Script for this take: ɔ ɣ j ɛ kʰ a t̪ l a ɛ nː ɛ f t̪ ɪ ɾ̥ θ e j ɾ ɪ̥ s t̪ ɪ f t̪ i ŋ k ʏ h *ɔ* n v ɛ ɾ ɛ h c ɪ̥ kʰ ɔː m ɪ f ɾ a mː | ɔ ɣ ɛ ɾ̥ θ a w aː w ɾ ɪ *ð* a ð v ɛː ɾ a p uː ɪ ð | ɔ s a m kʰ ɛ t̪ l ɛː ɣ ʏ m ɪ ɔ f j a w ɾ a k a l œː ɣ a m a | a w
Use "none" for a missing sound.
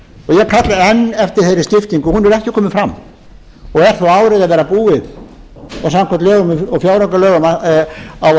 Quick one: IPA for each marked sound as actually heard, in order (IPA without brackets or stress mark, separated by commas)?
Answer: u, ð